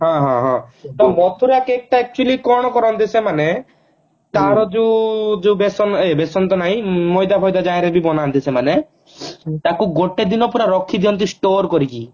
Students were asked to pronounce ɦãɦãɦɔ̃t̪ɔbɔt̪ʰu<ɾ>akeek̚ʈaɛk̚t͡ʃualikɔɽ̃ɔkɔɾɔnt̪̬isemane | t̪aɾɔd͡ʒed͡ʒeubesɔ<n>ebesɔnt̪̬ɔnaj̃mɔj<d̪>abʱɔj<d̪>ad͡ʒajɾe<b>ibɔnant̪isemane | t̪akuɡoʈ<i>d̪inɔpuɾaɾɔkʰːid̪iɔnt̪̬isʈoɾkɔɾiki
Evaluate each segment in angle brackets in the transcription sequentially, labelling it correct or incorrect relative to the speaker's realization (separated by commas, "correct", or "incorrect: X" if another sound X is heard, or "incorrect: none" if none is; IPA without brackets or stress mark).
correct, correct, correct, correct, correct, incorrect: e